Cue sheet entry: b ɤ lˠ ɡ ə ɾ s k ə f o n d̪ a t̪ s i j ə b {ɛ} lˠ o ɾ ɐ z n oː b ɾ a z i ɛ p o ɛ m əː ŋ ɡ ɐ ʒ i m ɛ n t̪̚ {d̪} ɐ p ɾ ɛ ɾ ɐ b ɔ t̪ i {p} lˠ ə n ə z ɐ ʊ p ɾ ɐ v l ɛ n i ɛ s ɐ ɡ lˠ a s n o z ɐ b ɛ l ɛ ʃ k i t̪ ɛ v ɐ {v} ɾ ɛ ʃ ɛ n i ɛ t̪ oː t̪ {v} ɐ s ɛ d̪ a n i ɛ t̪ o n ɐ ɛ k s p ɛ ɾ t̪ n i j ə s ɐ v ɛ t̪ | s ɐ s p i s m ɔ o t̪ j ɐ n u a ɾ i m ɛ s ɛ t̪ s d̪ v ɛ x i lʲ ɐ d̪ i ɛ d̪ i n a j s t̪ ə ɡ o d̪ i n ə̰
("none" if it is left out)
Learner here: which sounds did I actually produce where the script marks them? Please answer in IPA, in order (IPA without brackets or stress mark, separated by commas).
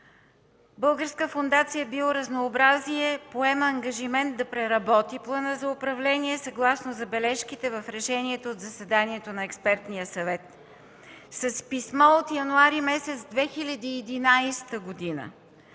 i, d̪, p, f, z